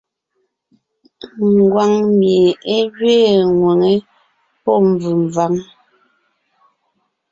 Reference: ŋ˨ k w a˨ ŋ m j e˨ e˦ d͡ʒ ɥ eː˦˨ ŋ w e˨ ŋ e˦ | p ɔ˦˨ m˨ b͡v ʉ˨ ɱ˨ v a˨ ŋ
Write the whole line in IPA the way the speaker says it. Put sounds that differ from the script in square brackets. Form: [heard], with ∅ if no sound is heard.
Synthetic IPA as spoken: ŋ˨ [ɡ] w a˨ ŋ m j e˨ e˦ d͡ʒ ɥ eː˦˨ ŋ w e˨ ŋ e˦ | p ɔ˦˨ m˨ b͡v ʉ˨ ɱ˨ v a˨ ŋ

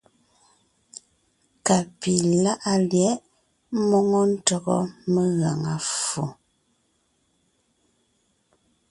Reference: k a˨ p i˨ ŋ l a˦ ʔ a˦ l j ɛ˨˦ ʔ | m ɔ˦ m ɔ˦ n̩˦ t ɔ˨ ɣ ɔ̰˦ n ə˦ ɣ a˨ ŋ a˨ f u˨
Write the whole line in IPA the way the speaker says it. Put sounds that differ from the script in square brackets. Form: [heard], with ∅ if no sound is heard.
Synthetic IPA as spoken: k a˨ p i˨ [∅] l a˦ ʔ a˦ l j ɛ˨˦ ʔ | m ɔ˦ [ŋ] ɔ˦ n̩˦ t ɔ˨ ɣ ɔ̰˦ [m] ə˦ ɣ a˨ ŋ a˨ f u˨

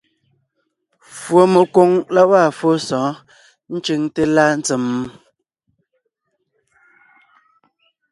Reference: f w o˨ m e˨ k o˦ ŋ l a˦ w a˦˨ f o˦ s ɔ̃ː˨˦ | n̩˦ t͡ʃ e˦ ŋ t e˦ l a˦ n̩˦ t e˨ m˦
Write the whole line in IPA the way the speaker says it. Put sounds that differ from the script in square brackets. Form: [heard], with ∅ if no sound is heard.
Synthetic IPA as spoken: f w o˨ m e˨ k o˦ ŋ l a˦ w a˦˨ f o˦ s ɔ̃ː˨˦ | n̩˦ t͡ʃ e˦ ŋ t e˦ l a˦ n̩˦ [t͡s] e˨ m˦

